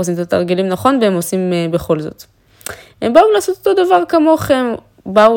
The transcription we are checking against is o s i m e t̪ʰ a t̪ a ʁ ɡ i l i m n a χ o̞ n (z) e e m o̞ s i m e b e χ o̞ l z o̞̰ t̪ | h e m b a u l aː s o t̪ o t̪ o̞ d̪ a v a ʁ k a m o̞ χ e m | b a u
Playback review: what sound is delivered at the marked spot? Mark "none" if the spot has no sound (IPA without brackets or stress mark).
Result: v